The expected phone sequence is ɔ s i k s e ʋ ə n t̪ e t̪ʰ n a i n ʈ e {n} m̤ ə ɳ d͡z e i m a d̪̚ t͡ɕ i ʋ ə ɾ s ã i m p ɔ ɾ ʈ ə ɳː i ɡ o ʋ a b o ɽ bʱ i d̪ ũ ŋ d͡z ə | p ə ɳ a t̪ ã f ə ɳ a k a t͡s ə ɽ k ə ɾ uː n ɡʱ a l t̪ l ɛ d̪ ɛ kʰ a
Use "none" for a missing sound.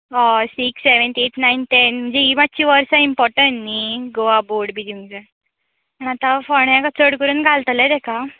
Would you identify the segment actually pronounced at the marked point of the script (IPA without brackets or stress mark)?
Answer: n